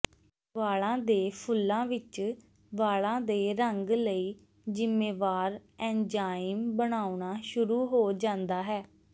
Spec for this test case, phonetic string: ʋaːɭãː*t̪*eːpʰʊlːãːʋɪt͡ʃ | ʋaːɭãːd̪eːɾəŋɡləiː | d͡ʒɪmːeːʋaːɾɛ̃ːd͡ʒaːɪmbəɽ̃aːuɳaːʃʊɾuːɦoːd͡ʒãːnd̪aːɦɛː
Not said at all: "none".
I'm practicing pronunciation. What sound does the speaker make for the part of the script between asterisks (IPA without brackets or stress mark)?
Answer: d̪